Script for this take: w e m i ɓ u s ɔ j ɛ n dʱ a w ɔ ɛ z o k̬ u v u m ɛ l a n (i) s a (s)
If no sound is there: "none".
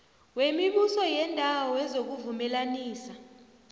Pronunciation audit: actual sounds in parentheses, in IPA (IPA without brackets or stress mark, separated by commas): iː, none